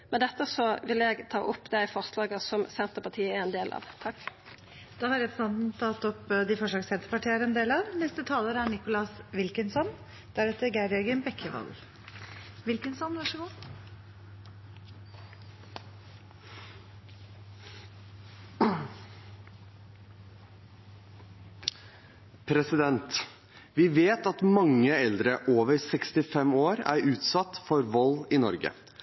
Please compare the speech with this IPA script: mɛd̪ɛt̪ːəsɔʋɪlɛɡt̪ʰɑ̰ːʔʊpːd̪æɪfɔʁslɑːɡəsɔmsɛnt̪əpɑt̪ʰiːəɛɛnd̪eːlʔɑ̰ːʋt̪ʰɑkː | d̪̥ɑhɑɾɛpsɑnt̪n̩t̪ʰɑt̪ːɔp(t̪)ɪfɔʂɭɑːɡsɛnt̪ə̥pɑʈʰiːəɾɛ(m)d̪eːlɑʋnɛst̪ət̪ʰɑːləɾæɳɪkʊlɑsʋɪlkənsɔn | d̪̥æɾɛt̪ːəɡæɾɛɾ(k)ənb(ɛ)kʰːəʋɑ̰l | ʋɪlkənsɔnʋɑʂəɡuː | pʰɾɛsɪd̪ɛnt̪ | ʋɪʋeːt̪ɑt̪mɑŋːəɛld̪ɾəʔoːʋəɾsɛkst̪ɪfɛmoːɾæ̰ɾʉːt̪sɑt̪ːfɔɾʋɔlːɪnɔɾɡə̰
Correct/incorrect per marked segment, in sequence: incorrect, incorrect, incorrect, correct

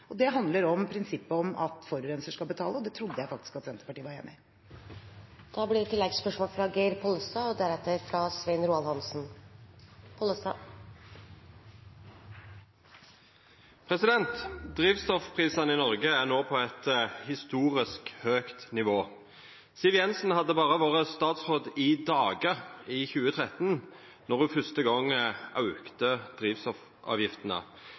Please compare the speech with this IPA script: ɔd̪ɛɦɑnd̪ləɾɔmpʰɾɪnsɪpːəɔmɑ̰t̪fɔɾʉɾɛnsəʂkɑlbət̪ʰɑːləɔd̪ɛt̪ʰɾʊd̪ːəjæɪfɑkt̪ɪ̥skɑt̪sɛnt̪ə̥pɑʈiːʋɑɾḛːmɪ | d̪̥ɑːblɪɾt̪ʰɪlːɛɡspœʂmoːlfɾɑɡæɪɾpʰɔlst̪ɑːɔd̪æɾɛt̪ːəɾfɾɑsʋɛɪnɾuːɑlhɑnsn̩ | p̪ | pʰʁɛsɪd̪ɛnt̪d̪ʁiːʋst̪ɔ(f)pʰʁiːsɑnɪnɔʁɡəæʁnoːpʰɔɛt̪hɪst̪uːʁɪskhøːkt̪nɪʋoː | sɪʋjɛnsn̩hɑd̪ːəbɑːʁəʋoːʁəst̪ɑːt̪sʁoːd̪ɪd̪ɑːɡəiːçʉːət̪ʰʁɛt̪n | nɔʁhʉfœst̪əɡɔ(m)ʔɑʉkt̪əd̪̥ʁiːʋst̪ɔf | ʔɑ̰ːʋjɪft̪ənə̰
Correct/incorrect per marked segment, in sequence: correct, incorrect

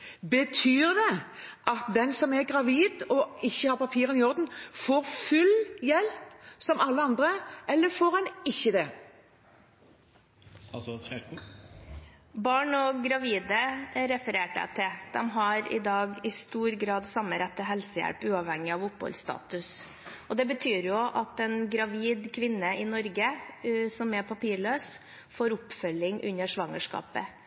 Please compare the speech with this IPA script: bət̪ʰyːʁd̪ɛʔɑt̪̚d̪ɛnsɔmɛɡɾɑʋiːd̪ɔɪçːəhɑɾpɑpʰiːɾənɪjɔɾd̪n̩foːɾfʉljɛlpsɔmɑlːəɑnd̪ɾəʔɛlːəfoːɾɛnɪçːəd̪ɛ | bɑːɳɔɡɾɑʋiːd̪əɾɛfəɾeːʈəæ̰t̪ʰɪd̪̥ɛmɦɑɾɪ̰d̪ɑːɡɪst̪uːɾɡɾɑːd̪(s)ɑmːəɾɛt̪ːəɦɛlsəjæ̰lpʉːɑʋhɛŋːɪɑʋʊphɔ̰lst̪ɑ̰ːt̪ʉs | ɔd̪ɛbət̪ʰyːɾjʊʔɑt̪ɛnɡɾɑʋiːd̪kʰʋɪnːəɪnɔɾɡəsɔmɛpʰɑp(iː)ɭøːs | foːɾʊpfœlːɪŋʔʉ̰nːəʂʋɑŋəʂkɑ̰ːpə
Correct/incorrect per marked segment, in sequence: correct, correct

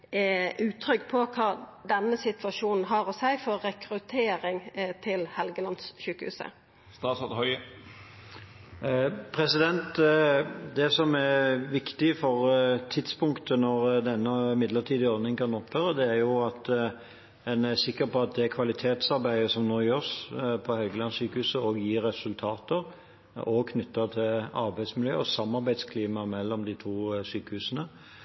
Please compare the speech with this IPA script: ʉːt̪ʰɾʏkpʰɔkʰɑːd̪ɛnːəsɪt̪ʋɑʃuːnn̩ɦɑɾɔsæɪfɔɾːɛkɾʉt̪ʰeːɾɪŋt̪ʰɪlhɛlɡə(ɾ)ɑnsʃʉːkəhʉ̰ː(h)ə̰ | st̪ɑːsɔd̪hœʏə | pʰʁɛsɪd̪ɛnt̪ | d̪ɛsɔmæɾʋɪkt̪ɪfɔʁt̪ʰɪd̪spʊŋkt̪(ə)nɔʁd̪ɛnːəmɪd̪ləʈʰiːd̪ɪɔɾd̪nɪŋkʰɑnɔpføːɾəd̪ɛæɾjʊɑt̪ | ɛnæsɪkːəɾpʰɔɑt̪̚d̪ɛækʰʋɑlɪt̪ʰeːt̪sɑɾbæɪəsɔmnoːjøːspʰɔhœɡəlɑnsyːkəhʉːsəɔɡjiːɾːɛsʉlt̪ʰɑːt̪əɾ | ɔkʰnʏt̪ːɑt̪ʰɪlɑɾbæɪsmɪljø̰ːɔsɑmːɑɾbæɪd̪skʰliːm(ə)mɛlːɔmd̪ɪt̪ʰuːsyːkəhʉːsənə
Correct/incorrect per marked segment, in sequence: incorrect, incorrect, correct, incorrect

